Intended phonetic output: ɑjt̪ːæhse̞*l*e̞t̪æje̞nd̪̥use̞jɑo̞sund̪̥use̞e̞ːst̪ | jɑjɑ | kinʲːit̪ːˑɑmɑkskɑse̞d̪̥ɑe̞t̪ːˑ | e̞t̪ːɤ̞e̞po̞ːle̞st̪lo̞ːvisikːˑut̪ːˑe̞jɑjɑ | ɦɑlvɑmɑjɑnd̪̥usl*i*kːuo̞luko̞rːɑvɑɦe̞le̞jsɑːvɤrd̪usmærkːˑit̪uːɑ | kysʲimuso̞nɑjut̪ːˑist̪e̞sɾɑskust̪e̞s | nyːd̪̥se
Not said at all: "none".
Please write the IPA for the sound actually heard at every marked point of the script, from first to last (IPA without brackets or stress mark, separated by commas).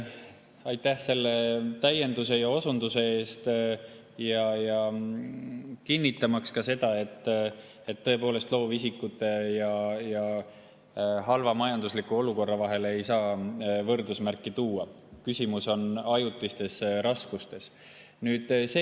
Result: lː, i